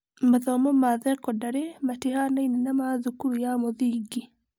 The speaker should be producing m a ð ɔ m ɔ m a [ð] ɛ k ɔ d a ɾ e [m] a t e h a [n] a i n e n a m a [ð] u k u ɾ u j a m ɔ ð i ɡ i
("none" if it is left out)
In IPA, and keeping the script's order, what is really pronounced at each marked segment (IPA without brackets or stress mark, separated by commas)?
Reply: ð, m, n, ð